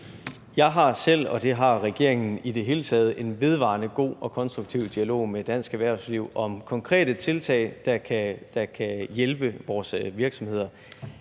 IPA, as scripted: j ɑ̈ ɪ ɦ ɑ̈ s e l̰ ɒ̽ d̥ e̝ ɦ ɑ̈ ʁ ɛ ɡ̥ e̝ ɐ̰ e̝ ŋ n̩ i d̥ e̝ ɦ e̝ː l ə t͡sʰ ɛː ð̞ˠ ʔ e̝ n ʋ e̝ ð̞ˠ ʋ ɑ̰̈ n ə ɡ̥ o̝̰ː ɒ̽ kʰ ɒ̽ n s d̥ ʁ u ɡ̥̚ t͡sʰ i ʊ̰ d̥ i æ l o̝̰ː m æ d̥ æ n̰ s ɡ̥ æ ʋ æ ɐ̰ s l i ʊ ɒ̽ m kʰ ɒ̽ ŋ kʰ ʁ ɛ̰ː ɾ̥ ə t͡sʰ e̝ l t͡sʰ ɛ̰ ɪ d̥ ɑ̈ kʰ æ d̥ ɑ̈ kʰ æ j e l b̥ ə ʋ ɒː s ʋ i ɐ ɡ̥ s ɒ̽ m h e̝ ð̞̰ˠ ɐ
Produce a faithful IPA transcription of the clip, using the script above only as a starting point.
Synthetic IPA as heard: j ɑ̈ ɪ ɦ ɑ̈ s e l̰ ɒ̽ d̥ e̝ ɦ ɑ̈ ʁ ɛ ɡ̥ e̝ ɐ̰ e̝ ŋ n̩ i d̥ e̝ ɦ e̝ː l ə t͡sʰ ɛː ð̞ˠ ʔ e̝ n ʋ e̝ ð̞ˠ ʋ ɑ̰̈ n ə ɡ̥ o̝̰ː ɒ̽ kʰ ɒ̽ n s d̥ ʁ u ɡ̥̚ t͡sʰ i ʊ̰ d̥ i æ l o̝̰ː m e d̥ æ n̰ s ɡ̥ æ ʋ æ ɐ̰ s l i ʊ ɒ̽ m kʰ ɒ̽ ŋ kʰ ʁ ɛ̰ː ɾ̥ ə t͡sʰ e̝ l t͡sʰ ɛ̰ ɪ d̥ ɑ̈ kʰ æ d̥ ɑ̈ kʰ æ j e l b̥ ə ʋ ɒː s ʋ i ɐ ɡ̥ s ɒ̽ m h e̝ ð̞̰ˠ ɐ